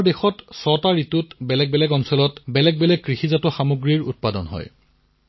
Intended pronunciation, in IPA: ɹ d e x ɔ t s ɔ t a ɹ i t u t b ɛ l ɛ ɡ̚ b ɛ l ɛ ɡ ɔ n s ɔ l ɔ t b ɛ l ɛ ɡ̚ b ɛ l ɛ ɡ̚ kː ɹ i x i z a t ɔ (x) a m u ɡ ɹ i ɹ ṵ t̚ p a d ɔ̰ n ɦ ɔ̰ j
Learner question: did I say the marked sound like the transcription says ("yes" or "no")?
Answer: yes